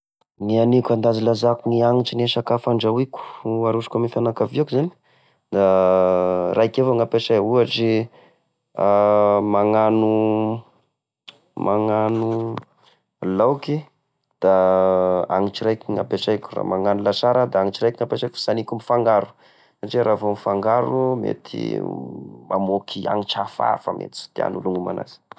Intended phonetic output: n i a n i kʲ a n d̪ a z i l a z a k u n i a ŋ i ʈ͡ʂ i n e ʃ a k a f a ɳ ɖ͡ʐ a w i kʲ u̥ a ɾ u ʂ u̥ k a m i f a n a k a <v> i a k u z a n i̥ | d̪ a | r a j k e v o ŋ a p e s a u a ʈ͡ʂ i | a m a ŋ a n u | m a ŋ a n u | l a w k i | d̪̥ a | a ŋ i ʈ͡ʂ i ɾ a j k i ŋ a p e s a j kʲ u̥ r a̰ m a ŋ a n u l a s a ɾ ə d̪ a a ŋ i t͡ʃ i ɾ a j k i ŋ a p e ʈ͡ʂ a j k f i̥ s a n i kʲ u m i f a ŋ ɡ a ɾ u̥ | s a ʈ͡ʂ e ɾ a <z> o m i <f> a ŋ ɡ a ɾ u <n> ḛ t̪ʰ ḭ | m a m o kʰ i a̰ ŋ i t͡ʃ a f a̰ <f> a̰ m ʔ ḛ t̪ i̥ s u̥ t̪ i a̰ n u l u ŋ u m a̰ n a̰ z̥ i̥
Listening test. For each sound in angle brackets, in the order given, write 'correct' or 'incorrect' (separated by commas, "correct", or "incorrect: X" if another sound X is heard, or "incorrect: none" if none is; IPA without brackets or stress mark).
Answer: correct, incorrect: v, correct, incorrect: m, correct